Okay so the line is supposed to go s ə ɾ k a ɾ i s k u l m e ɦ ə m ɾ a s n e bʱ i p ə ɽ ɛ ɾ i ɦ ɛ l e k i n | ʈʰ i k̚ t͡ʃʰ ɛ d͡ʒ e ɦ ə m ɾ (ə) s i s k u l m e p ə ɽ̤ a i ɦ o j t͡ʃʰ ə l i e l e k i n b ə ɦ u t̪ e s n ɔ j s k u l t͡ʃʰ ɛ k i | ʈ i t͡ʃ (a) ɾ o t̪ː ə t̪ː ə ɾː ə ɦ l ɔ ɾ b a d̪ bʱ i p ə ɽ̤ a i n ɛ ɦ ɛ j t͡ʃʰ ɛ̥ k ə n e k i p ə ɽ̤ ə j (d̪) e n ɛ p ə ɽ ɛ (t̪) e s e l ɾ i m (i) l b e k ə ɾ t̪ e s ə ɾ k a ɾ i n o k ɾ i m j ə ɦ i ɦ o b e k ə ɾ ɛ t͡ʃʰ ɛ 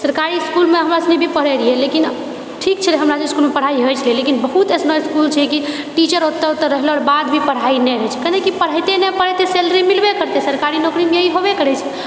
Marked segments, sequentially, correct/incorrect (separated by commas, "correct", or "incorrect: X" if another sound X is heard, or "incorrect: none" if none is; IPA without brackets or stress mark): incorrect: a, incorrect: ə, incorrect: t̪, correct, correct